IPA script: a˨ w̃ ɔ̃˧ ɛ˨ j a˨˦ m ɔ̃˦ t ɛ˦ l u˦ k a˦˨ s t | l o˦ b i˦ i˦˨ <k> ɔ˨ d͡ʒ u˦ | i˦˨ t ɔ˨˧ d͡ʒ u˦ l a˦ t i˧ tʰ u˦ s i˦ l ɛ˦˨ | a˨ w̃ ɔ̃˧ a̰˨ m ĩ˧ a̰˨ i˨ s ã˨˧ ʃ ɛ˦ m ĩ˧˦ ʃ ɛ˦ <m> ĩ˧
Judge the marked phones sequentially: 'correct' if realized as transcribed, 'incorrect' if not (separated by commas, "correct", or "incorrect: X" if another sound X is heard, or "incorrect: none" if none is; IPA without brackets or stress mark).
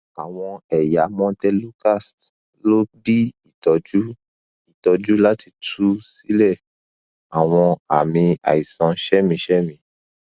incorrect: t, correct